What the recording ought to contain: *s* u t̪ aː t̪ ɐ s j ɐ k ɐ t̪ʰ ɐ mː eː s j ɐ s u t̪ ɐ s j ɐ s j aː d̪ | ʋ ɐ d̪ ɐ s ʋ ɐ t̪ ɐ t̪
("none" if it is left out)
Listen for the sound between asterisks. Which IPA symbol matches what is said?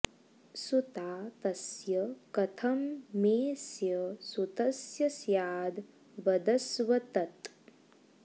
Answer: s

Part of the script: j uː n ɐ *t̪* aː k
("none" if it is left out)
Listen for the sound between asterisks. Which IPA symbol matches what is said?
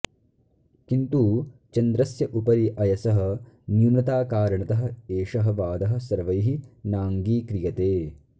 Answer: t̪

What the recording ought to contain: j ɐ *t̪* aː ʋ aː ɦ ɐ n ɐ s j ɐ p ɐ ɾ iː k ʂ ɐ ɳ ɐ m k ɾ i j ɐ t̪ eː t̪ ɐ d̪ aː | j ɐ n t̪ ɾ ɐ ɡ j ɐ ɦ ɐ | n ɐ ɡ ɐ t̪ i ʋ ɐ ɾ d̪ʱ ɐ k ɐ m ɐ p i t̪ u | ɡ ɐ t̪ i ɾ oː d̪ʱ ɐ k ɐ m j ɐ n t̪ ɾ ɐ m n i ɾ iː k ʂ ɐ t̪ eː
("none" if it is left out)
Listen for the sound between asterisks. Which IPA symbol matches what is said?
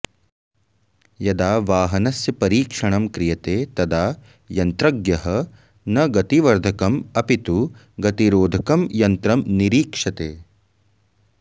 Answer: d̪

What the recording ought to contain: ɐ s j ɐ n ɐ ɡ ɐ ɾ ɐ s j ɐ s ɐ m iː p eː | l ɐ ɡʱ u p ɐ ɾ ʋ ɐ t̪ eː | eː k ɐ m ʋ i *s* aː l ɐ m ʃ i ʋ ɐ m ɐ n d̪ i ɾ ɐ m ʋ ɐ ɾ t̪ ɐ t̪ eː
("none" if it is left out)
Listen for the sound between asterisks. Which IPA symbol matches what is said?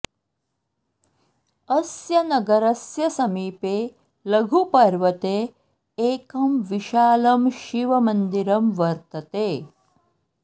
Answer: ʃ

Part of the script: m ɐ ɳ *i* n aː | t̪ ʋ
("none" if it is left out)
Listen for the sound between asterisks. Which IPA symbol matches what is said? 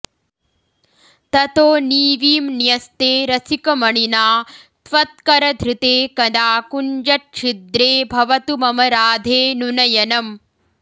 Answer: i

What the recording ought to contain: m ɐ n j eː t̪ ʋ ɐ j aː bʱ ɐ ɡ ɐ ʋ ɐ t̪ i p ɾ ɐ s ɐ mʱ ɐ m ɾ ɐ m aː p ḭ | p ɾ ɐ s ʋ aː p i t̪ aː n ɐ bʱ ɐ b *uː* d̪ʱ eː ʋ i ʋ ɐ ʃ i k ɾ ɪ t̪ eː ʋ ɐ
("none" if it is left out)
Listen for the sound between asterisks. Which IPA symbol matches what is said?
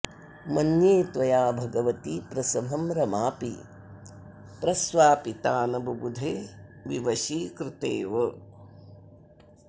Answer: u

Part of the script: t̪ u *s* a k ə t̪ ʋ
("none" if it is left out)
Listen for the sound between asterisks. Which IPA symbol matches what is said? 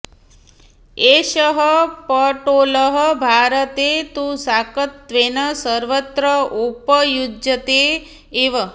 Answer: s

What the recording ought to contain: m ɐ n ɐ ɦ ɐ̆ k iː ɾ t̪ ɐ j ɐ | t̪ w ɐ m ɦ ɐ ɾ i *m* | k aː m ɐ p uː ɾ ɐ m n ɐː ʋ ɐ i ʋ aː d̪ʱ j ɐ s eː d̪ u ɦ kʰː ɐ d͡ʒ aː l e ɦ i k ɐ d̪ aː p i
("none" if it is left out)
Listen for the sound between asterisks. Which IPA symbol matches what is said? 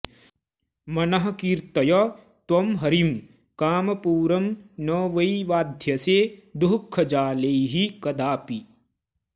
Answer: m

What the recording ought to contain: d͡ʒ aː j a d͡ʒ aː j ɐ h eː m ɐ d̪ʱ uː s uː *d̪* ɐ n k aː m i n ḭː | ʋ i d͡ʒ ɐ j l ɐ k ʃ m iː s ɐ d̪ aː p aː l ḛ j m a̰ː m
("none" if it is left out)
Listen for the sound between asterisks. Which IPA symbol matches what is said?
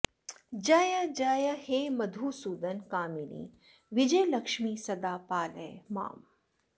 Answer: d̪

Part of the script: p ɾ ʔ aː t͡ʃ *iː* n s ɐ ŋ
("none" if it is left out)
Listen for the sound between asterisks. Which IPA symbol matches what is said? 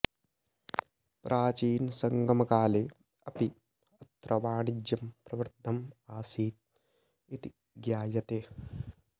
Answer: iː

